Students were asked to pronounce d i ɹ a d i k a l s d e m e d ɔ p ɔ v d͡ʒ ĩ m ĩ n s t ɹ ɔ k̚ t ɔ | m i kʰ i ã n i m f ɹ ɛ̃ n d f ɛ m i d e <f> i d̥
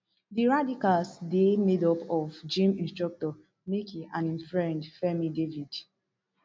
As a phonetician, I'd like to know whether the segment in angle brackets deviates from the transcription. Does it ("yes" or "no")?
yes